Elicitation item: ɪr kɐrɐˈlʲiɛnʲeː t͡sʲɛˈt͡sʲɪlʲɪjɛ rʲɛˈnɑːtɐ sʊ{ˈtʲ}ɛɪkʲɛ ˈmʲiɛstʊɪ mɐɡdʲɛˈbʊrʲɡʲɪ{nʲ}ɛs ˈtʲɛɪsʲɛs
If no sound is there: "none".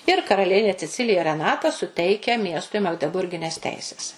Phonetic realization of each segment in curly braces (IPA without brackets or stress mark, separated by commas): tʲ, nʲ